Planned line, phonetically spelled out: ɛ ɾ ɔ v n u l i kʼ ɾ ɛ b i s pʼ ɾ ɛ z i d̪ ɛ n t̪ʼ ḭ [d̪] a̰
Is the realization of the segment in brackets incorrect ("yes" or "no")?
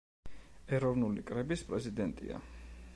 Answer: yes